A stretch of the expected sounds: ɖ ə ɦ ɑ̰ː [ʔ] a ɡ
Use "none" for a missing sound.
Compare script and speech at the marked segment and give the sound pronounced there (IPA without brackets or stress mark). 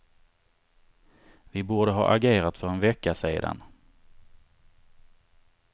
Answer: ʔ